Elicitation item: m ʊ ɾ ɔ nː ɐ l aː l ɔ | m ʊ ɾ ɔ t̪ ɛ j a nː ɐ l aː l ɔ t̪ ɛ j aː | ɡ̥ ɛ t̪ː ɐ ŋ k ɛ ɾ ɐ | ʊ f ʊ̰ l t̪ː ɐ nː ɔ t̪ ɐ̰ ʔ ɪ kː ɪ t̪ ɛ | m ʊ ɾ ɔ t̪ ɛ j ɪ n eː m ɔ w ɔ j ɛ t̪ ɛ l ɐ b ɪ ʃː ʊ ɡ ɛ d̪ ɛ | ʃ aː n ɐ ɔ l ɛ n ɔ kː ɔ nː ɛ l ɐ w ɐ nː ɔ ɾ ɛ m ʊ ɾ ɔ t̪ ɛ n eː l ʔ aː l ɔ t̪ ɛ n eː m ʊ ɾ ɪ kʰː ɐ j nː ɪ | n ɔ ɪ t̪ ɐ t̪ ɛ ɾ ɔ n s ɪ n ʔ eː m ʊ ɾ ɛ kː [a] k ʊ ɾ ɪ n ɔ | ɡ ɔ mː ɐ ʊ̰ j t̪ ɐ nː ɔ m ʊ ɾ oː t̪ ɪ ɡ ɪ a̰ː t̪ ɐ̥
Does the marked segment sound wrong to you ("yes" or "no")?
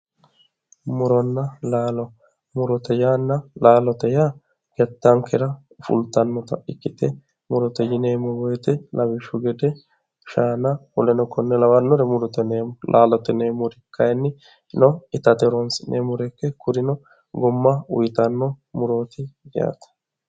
yes